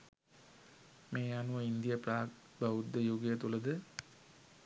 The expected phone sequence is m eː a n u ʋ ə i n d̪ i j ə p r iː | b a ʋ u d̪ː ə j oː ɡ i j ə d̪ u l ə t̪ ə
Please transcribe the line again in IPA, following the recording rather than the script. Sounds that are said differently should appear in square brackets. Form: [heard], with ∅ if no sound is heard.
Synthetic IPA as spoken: m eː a n u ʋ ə i n d̪ i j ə p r [aː] | b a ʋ u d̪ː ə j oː ɡ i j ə [t̪] u l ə [d̪] ə